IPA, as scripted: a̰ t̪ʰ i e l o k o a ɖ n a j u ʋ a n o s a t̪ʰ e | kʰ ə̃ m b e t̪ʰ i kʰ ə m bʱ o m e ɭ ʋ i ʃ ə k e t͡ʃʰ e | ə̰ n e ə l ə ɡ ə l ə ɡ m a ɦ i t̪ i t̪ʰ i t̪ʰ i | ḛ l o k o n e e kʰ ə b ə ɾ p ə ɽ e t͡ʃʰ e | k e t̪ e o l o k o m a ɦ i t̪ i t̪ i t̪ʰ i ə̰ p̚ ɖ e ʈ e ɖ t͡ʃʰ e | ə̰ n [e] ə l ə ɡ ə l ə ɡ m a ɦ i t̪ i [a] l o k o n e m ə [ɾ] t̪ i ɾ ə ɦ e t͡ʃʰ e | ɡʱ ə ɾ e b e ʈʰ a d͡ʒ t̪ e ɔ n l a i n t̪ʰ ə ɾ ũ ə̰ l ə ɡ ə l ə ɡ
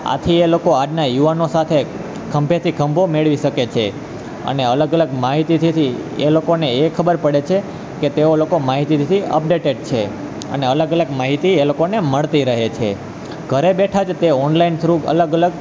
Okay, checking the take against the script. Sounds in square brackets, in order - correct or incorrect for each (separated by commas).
correct, incorrect, incorrect